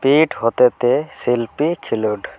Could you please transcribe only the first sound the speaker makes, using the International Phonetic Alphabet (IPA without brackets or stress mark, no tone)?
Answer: p